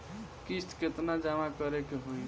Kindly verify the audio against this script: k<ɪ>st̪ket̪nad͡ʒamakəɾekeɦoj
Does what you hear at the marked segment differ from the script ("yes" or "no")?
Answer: yes